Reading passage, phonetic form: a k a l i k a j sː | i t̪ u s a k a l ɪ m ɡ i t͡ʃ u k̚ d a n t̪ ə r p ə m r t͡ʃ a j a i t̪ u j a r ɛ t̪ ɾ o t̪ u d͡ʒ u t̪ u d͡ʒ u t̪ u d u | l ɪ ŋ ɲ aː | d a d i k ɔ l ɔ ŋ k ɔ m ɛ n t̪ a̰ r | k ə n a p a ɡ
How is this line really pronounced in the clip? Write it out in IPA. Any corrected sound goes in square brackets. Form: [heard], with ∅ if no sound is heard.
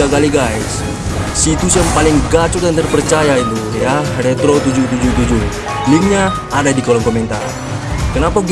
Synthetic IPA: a k a l i [ɡ] a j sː | i t̪ u s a [p] a l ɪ [ŋ] ɡ [a] t͡ʃ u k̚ d a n t̪ ə r p ə [∅] r t͡ʃ a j a i t̪ u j a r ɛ t̪ ɾ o t̪ u d͡ʒ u t̪ u d͡ʒ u t̪ u [d͡ʒ] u | l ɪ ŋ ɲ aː | d a d i k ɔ l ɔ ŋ k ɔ m ɛ n t̪ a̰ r | k ə n a p a ɡ

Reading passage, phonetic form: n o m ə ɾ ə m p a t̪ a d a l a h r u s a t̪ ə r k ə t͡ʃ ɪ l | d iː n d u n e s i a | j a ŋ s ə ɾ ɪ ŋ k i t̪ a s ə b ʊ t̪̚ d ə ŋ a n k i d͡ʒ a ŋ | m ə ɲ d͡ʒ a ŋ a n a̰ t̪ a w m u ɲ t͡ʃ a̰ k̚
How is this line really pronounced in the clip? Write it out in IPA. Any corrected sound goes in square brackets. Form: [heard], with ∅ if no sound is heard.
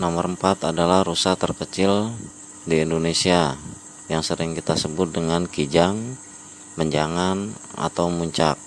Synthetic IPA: n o m ə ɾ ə m p a t̪ a d a l a h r u s a t̪ ə r k ə t͡ʃ ɪ l | d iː n d [o] n e s i a | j a ŋ s ə ɾ ɪ ŋ k i t̪ a s ə b ʊ t̪̚ d ə ŋ a n k i d͡ʒ a ŋ | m ə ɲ d͡ʒ a ŋ a n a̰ t̪ a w m u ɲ t͡ʃ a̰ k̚

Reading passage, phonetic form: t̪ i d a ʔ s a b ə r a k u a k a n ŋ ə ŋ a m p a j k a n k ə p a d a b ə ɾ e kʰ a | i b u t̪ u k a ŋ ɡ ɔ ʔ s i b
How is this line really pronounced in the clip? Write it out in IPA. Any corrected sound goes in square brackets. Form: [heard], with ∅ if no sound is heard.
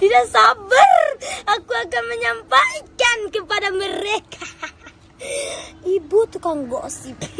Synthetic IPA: t̪ i d a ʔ s a b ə r a k u a k a n [m] ə [ɲ] a m p a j k a n k ə p a d a [m] ə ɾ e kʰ a | i b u t̪ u k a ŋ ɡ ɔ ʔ s i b

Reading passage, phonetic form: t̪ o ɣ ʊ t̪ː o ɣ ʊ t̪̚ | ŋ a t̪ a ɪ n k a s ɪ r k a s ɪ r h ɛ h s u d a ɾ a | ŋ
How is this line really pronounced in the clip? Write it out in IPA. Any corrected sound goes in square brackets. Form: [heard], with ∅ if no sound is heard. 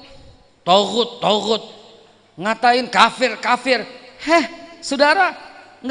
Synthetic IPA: t̪ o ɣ ʊ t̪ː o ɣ ʊ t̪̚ | ŋ a t̪ a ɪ n k a [f] ɪ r k a [f] ɪ r h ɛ h s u d a ɾ a | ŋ

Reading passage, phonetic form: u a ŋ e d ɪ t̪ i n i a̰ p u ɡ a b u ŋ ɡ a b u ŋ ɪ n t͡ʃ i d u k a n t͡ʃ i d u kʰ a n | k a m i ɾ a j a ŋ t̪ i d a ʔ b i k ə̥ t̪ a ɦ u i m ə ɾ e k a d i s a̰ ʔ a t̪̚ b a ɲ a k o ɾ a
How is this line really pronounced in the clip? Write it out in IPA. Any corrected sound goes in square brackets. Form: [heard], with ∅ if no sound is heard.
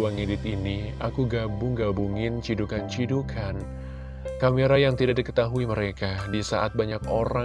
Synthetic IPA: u a ŋ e d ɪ t̪ i n i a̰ [k] u ɡ a b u ŋ ɡ a b u ŋ ɪ n t͡ʃ i d u k a n t͡ʃ i d u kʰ a n | k a m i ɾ a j a ŋ t̪ i d a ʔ [d] i k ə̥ t̪ a ɦ u i m ə ɾ e k a d i s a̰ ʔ a t̪̚ b a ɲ a k o ɾ a

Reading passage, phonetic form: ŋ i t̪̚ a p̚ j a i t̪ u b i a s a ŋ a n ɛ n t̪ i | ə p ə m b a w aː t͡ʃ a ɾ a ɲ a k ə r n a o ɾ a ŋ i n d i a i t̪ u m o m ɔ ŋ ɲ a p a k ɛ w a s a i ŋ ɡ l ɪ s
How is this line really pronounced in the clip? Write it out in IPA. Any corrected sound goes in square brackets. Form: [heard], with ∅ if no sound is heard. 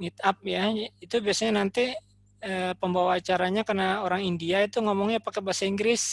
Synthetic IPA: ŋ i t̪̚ a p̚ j a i t̪ u b i a s a [ɲ] a n [a] n t̪ i | ə p ə m b a w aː t͡ʃ a ɾ a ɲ a k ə r n a o ɾ a ŋ i n d i a i t̪ u [ŋ] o m ɔ ŋ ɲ a p a k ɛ [b] a s a i ŋ ɡ [ɾ] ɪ s

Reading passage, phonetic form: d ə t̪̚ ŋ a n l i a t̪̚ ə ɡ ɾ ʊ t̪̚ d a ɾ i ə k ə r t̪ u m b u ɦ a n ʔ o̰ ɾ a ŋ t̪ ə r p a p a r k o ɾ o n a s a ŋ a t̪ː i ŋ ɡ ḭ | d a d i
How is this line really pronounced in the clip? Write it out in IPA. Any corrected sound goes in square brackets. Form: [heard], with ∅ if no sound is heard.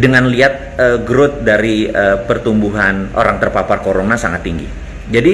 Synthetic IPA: d ə [∅] ŋ a n l i a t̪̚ ə ɡ ɾ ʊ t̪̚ d a ɾ i ə [p] ə r t̪ u m b u ɦ a n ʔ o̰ ɾ a ŋ t̪ ə r p a p a r k o ɾ o n a s a ŋ a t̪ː i ŋ ɡ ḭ | [d͡ʒ] a d i

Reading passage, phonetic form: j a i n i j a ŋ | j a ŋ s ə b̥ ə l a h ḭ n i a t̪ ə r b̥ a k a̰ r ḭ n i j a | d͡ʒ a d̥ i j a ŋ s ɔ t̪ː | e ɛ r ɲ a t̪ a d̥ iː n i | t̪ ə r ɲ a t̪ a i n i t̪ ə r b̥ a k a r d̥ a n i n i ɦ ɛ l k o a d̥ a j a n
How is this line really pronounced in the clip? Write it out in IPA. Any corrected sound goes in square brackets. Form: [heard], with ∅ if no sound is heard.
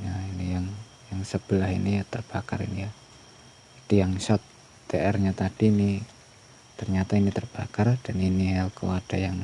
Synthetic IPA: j a i n i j a ŋ | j a ŋ s ə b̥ ə l a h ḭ n i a t̪ ə r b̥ a k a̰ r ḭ n i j a | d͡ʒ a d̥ i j a ŋ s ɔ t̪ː | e ɛ r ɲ a t̪ a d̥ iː n i | t̪ ə r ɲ a t̪ a i n i t̪ ə r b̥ a k a r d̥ a n i n i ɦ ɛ l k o a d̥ a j a [ŋ]

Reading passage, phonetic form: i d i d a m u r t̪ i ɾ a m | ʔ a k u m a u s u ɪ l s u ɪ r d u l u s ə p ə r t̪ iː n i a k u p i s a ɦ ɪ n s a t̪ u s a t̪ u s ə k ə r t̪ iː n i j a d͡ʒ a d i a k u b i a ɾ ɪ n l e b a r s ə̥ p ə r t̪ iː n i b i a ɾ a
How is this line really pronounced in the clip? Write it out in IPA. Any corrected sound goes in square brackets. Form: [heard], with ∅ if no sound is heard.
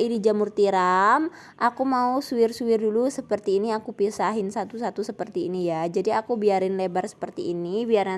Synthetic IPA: i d i [d͡ʒ] a m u r t̪ i ɾ a m | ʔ a k u m a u s u ɪ [r] s u ɪ r d u l u s ə p ə r t̪ iː n i a k u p i s a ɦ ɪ n s a t̪ u s a t̪ u s ə [p] ə r t̪ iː n i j a d͡ʒ a d i a k u b i a ɾ ɪ n l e b a r s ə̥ p ə r t̪ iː n i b i a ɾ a

